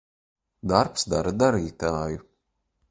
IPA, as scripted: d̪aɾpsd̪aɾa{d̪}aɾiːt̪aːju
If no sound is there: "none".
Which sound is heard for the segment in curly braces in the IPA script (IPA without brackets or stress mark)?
d̪